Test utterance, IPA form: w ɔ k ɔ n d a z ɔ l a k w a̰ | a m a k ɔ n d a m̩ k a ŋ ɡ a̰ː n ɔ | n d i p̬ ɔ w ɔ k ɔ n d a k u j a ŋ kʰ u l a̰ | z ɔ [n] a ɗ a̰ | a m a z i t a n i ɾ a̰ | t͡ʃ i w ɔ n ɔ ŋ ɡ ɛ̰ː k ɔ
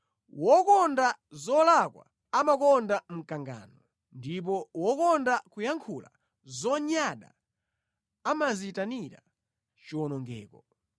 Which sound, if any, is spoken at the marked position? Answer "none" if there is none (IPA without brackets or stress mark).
ɲ